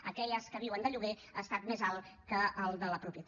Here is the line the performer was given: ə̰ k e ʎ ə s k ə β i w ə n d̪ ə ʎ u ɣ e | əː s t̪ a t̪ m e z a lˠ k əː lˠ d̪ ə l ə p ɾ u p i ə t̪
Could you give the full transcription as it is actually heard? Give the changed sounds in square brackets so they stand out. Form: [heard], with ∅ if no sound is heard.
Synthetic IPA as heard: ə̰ k [ɛ] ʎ ə s k ə β i w ə n d̪ ə ʎ u ɣ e | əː s t̪ a t̪ m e z a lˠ k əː lˠ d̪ ə l ə p ɾ u p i ə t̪